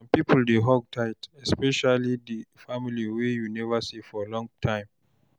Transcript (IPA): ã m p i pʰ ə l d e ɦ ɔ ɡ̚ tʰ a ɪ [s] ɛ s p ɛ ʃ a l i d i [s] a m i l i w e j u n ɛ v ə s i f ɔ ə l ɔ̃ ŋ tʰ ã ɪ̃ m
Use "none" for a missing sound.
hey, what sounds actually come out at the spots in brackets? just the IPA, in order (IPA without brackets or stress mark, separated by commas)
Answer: t, f